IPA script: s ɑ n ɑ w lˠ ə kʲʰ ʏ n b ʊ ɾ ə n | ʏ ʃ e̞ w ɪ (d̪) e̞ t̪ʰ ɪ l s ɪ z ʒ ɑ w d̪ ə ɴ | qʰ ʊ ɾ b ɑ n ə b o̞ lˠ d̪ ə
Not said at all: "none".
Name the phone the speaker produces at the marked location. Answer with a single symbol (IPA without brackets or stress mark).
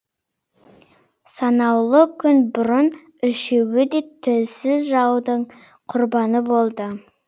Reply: d̪